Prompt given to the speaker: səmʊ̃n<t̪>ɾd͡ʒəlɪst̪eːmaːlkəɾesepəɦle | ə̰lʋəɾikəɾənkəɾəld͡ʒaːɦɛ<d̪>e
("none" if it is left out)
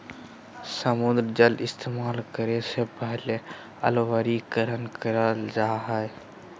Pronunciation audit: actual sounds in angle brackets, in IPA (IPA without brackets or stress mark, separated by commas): d̪, none